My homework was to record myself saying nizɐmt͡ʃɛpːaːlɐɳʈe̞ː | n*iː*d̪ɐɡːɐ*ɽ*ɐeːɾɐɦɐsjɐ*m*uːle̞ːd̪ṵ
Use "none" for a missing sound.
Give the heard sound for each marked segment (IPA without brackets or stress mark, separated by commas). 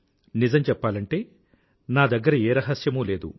aː, ɾ, m